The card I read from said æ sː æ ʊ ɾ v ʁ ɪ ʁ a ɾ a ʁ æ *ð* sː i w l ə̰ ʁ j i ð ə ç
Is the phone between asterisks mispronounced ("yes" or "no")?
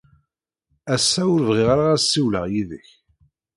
yes